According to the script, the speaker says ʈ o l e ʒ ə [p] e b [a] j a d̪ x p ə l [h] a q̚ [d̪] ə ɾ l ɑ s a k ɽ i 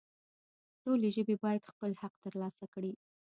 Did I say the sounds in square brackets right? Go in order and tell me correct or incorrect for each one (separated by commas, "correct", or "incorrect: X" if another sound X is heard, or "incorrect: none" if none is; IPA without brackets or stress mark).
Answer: incorrect: b, incorrect: ɑ, correct, incorrect: t̪